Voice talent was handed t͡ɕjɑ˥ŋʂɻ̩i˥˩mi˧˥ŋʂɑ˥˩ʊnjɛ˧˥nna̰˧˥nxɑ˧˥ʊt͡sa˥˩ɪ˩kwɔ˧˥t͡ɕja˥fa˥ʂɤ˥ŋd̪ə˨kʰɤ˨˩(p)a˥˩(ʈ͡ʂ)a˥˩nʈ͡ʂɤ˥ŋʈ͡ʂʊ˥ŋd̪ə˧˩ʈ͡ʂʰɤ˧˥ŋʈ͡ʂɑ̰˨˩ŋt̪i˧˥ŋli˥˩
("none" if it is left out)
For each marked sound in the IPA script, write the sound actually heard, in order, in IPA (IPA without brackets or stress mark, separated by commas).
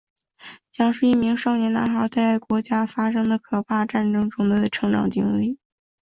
pʰ, ʈ͡ʂ